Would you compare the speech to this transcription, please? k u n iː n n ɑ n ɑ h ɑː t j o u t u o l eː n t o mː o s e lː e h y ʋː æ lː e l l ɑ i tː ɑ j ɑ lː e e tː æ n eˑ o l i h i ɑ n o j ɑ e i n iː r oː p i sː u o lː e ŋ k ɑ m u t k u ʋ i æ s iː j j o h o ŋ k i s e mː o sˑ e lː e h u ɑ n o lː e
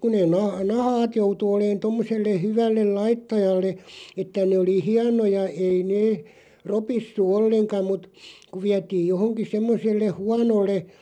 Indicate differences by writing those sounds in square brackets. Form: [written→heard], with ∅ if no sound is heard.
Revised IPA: k u n [iː→eː] n n ɑ n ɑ h ɑː t j o u t u o l eː n t o mː o s e lː e h y [ʋː→ʋ] æ lː e l l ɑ i tː ɑ j ɑ lː e e tː æ n eˑ o l i h i ɑ n o j ɑ e i n [iː→eː] r [oː→o] p i sː u o lː e ŋ k ɑ m u t k u ʋ i æ [s→t] iː j j o h o ŋ k i s e mː o sˑ e lː e h u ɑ n o lː e

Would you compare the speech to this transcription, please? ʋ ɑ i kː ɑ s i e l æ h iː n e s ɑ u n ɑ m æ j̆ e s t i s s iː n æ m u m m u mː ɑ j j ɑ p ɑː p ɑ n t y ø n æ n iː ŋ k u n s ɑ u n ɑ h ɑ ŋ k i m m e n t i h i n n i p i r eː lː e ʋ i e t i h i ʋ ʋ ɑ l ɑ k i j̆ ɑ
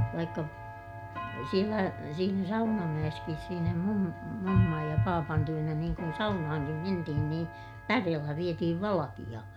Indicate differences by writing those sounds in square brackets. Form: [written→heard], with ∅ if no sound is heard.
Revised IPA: ʋ ɑ i kː ɑ s i e l æ [h→s] iː n [e→æ] s ɑ u n ɑ m æ j̆ e s [t→k] i s s iː n æ m u m m u mː ɑ j j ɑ p ɑː p ɑ n t y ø n æ n iː ŋ k u n s ɑ u n ɑ h ɑ ŋ k i m m e n t i h i n n [i→iː] p [i→æ] r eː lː [e→æ] ʋ i e t i h i ʋ ʋ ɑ l ɑ k i j̆ ɑ

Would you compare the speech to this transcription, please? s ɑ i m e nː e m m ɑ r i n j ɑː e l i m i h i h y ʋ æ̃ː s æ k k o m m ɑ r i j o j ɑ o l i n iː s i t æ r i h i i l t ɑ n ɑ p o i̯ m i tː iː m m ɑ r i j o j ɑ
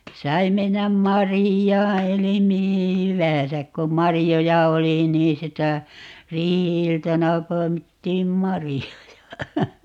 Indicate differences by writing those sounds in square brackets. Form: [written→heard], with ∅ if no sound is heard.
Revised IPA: s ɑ i m e nː [e→æ] m m ɑ r i [n→∅] j ɑː e l i m i h i h y ʋ æ̃ː s æ k k o m m ɑ r i j o j ɑ o l i n iː s i t æ r [i→iː] h i i l t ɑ n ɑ p o i̯ m i tː iː m m ɑ r i j o j ɑ

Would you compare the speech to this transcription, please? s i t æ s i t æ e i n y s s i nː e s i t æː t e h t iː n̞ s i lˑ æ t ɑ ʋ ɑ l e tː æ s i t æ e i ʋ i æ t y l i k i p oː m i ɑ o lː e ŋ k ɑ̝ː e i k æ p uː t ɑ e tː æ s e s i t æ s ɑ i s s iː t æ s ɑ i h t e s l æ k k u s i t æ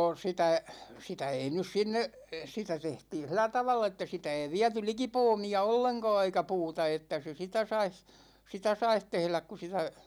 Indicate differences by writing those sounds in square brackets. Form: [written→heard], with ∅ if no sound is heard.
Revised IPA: s i t æ s i t æ e i n y s s i nː e s i t [æː→æ] t e h t iː n̞ s i lˑ æ t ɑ ʋ ɑ [l→lː] e tː æ s i t æ e i ʋ i æ t y l i k i p oː m i ɑ o lː e ŋ k ɑ̝ː e i k æ p uː t ɑ e tː æ s e s i t æ s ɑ i s s [iː→i] t æ s ɑ i h t e [s→h] l æ k k u s i t æ

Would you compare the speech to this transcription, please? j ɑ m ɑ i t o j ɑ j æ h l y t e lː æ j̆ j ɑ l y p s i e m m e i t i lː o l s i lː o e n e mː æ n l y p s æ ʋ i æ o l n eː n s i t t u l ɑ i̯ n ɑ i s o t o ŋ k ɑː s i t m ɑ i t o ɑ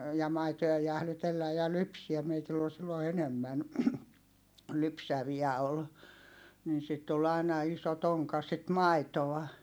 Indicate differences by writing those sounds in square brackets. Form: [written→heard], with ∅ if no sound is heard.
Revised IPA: j ɑ m ɑ i t o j ɑ j æ h l y t e lː æ j̆ j ɑ l y p s i [e→æ] m m e i t i lː o l s i lː o e n e mː æ n l y p s æ ʋ i æ o l n [eː→iː] n s i t t u l ɑ i̯ n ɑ i s o t o ŋ k [ɑː→ɑ] s i t m ɑ i t o ɑ

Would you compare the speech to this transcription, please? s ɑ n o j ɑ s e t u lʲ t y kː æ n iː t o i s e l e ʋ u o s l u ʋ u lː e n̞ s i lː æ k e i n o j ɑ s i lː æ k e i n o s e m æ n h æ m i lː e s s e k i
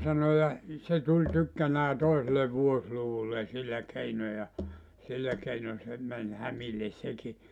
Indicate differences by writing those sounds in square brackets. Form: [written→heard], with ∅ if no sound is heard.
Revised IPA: s ɑ n o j ɑ s e t u lʲ t y kː æ n [iː→æː] t o i s e l e ʋ u o s l u ʋ u lː e n̞ s i lː æ k e i n o j ɑ s i lː æ k e i n o s e m æ n h æ m i lː e s s e k i

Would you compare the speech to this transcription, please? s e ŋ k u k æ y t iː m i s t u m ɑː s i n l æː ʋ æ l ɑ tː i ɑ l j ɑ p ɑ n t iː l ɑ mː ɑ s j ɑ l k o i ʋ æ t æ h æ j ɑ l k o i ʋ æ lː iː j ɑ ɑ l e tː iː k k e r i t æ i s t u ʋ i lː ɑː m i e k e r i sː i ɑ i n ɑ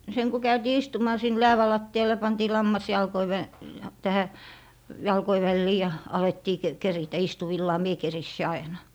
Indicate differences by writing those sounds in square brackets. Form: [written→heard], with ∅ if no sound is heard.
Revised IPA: s e ŋ k u k æ y t iː [m→∅] i s t u m ɑː s i n l æː ʋ æ l ɑ tː i ɑ l j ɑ p ɑ n t iː l ɑ mː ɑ s j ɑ l k o i ʋ æ t æ h æ j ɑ l k o i ʋ æ lː iː j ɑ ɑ l e tː iː k k e r i t æ i s t u ʋ i lː ɑː m i e k e r i sː i ɑ i n ɑ

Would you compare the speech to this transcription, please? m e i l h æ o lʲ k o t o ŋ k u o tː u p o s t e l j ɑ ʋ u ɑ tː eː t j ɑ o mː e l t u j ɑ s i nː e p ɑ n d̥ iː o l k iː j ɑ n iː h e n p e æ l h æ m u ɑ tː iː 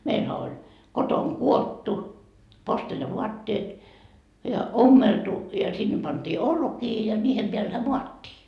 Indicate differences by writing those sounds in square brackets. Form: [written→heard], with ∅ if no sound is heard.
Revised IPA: m e i l h æ o lʲ k o t o ŋ k u o tː u p o s t e l j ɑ ʋ u ɑ tː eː t j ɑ o mː e l t u j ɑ s i nː e p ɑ n d̥ iː o l k iː j ɑ n iː h e [n→m] p e æ l h æ m u ɑ tː iː

